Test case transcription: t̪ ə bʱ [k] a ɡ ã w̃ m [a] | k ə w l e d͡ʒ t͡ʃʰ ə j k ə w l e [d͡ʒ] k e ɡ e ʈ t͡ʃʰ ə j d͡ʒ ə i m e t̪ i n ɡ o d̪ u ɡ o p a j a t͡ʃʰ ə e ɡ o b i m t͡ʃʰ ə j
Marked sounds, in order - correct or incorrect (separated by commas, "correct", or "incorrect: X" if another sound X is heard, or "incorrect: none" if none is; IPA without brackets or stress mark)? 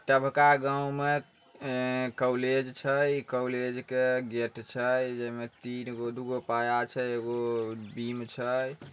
correct, incorrect: e, correct